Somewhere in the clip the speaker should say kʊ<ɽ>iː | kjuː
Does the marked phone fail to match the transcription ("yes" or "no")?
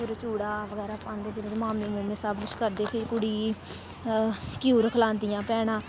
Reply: no